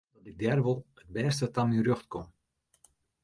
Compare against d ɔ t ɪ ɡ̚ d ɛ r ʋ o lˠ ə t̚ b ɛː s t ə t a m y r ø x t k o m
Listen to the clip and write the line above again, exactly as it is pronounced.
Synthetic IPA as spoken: d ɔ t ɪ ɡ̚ d ɛ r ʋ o lˠ ə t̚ b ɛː s t ə t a m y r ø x t k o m